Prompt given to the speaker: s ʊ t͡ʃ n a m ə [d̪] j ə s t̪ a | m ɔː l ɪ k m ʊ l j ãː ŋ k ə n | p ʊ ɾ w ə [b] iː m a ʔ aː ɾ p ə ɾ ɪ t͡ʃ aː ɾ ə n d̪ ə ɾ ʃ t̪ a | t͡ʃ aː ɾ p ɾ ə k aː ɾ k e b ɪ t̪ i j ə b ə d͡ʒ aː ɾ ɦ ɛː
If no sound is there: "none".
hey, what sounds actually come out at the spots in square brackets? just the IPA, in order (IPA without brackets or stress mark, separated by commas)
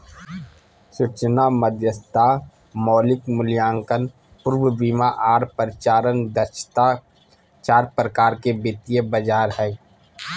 d̪, b